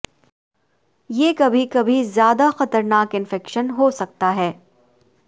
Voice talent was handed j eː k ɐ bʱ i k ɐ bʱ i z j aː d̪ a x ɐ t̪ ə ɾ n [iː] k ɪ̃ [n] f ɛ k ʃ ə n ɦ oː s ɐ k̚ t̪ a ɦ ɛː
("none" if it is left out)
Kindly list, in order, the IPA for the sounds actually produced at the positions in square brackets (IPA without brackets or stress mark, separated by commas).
aː, n